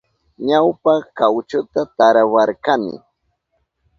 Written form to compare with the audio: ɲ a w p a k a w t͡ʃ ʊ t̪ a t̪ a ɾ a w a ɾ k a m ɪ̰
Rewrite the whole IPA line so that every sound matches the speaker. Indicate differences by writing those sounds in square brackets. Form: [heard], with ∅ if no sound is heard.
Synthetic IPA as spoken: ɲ a w p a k a w t͡ʃ ʊ t̪ a t̪ a ɾ a w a ɾ k a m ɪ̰